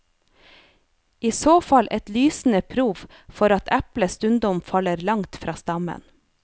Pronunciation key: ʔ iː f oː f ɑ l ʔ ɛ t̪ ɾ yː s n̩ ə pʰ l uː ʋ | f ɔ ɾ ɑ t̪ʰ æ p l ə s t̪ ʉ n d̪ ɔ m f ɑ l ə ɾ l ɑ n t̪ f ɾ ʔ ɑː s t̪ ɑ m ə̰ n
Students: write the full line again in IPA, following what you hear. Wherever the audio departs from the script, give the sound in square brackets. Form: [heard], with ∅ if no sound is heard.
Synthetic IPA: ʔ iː [s] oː f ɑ l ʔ ɛ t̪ [l] yː s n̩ ə pʰ [ɾ] uː ʋ | f ɔ ɾ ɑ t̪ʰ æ p l ə s t̪ ʉ n d̪ ɔ m f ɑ l ə ɾ l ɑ [ŋ] t̪ f ɾ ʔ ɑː s t̪ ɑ m ə̰ n